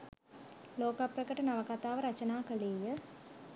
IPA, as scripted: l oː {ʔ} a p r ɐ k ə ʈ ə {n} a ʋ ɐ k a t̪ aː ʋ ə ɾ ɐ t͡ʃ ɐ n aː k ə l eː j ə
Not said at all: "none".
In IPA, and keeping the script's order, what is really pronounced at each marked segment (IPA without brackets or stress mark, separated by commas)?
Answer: k, n